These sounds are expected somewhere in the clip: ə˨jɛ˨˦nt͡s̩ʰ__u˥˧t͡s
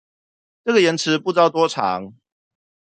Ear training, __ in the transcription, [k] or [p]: p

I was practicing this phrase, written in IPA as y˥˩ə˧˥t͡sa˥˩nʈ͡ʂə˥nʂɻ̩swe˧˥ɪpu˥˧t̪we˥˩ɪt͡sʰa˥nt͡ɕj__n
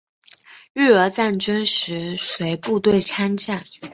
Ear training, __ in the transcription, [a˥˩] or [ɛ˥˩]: a˥˩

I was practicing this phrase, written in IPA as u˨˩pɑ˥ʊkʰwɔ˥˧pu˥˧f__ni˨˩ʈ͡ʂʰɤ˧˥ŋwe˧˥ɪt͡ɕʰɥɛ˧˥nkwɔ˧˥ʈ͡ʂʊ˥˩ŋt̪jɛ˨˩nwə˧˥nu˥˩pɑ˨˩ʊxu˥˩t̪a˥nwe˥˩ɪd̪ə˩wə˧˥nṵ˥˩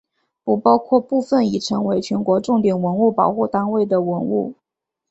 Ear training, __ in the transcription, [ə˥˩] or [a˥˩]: ə˥˩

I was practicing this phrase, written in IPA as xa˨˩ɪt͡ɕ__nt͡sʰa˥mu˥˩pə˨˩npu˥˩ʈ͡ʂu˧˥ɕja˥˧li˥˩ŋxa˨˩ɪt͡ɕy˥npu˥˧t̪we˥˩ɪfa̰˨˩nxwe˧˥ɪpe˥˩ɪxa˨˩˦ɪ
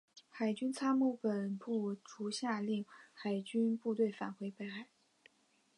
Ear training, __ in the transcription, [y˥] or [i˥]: y˥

